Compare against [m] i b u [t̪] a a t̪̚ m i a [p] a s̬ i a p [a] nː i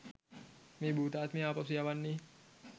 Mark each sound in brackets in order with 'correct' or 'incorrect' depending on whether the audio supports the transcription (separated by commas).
correct, correct, correct, correct